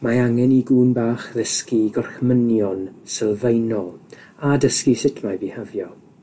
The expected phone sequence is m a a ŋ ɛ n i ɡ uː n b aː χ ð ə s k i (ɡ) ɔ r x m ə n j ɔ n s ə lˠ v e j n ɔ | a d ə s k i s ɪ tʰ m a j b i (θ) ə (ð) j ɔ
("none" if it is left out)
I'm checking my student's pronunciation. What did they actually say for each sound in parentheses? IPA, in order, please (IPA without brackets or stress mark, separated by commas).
ɡ, h, v